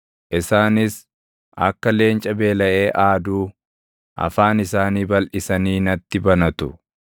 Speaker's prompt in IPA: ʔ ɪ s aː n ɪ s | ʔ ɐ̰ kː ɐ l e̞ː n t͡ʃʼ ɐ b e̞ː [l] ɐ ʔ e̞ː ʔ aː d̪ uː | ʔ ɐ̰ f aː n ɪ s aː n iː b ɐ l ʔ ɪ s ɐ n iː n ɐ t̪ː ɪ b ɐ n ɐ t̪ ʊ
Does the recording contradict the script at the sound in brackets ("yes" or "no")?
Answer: no